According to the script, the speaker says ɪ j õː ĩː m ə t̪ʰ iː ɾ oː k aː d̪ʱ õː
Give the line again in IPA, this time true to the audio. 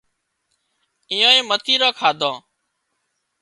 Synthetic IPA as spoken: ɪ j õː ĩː m ə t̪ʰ iː ɾ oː kʰ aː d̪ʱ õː